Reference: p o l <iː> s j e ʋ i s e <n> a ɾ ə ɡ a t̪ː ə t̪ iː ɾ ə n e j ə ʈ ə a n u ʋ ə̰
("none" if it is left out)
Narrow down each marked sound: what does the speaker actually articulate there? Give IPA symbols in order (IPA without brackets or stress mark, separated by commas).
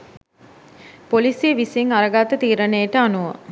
i, ŋ